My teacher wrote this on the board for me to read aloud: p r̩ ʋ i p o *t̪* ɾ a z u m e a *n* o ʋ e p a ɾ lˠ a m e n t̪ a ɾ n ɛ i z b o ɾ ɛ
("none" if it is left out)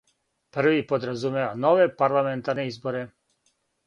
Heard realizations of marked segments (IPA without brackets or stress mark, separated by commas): d̪, n